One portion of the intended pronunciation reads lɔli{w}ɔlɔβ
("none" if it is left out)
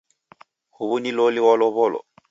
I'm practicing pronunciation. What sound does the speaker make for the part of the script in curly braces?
w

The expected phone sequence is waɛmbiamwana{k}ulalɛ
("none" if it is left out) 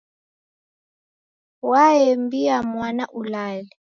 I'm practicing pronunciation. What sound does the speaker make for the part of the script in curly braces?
ʔ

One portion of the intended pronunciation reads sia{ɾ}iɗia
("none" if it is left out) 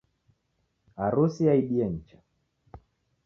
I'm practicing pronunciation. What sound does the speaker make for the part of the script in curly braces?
none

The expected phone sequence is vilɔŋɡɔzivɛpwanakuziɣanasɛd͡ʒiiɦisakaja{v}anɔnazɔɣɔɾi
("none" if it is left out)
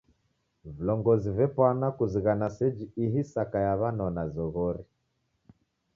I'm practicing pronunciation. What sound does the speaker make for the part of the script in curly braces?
β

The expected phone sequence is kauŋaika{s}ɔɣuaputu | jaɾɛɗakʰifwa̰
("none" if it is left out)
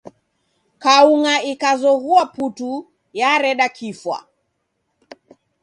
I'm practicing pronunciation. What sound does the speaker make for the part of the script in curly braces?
z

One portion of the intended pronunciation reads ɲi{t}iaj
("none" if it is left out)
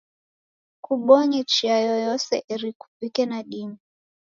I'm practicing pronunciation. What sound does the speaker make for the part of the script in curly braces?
t͡ʃ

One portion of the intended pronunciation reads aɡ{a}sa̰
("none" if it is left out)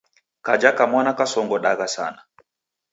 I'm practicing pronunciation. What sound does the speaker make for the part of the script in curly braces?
a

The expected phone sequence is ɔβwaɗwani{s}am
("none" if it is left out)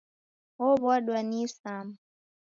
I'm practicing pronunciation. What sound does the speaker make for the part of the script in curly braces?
s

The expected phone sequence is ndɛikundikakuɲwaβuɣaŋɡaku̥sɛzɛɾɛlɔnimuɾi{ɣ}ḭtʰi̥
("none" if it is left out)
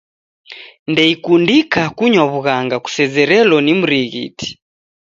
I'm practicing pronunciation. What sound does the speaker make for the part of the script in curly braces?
ɣ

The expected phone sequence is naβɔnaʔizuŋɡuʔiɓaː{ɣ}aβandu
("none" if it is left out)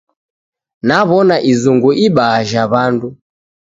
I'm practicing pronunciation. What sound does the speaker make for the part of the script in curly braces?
ʒ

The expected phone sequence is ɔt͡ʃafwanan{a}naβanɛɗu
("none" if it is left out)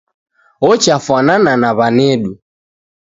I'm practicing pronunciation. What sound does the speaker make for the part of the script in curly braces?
a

